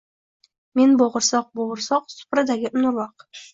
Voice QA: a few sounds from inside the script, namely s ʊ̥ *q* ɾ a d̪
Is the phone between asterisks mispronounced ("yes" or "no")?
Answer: yes